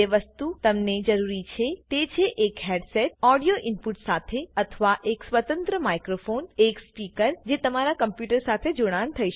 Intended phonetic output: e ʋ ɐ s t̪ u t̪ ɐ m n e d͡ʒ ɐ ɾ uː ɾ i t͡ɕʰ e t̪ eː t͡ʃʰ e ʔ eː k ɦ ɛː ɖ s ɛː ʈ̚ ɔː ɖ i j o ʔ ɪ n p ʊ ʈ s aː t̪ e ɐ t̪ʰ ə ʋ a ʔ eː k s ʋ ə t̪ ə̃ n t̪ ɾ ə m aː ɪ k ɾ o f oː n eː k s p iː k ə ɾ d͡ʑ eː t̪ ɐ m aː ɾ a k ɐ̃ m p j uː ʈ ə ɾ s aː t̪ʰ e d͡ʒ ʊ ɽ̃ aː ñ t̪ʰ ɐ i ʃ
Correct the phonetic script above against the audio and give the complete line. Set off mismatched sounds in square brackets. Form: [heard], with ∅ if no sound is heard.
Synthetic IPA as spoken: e ʋ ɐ s t̪ u t̪ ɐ m n e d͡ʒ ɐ ɾ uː ɾ i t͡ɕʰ e t̪ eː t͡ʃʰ e ʔ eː k ɦ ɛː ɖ s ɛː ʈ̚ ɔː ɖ i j o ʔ ɪ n p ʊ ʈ s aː [t̪ʰ] e ɐ t̪ʰ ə ʋ a ʔ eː k s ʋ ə t̪ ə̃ n t̪ ɾ ə m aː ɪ k ɾ o f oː n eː k s p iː k ə ɾ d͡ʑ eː t̪ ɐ m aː ɾ a k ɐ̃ m p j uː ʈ ə ɾ s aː t̪ʰ e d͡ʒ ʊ ɽ̃ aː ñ t̪ʰ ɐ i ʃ